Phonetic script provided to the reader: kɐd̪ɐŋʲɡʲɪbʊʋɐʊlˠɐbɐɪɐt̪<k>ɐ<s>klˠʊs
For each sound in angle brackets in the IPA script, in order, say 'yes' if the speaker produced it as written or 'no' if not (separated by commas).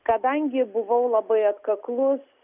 yes, no